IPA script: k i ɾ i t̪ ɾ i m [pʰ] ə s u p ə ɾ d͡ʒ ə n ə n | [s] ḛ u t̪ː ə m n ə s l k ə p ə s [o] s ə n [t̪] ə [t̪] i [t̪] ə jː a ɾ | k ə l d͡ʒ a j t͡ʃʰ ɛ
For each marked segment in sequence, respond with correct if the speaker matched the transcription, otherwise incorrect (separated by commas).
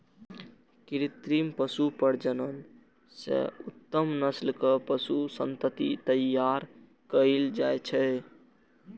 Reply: incorrect, correct, incorrect, correct, correct, correct